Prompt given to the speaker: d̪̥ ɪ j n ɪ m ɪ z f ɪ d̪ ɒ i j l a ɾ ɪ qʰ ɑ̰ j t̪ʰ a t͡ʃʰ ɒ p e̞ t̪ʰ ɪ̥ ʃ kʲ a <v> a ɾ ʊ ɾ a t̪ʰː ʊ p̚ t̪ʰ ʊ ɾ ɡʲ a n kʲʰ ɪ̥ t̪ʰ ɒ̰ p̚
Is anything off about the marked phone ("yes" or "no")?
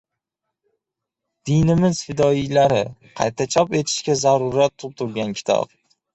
yes